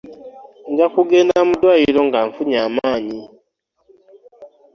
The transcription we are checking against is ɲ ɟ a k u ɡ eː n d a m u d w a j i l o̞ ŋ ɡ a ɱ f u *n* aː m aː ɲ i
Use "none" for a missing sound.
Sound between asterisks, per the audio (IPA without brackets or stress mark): ɲ